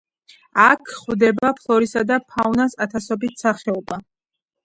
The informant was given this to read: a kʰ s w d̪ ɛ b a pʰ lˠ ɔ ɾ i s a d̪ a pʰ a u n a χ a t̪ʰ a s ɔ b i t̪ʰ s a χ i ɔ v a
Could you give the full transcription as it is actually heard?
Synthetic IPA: a kʰ χ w d̪ ɛ b a pʰ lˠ ɔ ɾ i s a d̪ a pʰ a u n a s a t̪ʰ a s ɔ b i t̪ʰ s a χ ɛ ɔ b a